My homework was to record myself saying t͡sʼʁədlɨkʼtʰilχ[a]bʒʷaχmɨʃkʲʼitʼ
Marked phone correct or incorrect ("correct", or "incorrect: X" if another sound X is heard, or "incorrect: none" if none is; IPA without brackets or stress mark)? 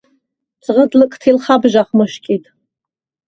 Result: correct